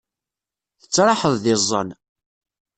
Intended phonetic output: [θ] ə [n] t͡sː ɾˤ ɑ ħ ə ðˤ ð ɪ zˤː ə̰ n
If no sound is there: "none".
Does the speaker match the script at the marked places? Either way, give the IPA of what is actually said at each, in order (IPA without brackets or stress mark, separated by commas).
θ, none